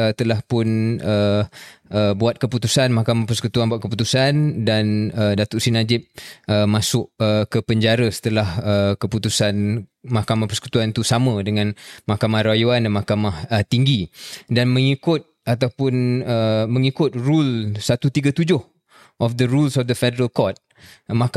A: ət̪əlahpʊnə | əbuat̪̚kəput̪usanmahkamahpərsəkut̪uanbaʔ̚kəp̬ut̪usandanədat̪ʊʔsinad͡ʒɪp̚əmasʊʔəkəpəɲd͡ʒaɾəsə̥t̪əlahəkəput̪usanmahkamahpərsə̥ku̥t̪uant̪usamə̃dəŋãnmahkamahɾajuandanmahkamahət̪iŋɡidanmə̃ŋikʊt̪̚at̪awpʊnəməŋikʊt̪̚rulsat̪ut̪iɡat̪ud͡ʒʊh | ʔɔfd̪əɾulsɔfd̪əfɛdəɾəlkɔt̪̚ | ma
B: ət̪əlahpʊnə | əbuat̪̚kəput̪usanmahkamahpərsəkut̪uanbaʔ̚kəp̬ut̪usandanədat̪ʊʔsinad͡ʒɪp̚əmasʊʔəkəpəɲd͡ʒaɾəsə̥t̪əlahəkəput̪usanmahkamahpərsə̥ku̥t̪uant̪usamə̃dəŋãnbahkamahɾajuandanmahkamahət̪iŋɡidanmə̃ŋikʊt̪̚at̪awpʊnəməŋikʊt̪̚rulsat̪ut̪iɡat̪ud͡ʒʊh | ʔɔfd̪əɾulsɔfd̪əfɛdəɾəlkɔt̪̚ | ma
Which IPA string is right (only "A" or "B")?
A